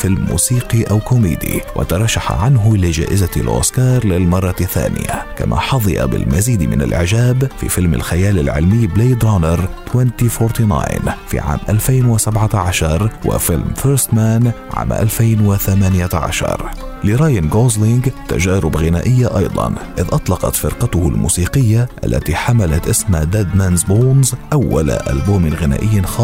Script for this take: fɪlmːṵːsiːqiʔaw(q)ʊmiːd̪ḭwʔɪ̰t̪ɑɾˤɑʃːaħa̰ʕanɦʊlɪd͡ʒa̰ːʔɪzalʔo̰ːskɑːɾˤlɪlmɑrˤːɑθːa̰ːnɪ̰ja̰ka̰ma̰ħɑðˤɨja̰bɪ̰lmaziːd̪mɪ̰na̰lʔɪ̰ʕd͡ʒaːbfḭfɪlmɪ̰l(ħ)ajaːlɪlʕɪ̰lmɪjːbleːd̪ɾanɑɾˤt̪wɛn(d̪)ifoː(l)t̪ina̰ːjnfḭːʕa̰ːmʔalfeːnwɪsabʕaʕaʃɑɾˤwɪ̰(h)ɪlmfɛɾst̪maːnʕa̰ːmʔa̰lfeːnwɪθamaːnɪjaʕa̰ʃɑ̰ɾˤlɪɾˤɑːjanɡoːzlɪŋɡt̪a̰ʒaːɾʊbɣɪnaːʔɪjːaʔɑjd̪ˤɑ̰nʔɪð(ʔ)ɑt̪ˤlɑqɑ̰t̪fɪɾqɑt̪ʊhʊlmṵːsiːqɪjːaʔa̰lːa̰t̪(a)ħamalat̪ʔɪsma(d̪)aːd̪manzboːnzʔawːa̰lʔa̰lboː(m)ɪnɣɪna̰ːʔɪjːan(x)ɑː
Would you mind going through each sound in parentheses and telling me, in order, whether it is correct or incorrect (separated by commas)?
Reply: incorrect, incorrect, incorrect, incorrect, incorrect, correct, incorrect, correct, correct, correct